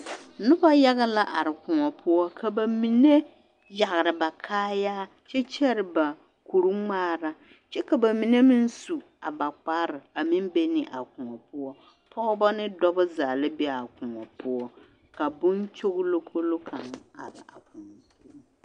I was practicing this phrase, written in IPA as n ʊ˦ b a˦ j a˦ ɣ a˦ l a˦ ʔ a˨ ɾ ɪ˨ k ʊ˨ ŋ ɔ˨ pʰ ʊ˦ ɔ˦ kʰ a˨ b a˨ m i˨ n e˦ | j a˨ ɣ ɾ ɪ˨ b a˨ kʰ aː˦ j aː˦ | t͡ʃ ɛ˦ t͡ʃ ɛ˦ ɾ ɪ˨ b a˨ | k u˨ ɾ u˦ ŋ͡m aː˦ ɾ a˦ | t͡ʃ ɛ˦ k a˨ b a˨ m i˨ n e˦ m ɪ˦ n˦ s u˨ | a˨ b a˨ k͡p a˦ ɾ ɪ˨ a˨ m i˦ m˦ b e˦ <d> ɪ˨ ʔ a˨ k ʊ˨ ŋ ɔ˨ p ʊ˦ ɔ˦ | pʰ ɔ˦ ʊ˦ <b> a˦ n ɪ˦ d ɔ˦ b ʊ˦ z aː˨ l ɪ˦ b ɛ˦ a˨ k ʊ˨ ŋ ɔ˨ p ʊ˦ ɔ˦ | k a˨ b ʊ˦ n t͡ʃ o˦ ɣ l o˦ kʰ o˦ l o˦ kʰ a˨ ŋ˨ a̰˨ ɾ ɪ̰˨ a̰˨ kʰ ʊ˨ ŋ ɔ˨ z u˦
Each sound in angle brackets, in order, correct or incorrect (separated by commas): incorrect, correct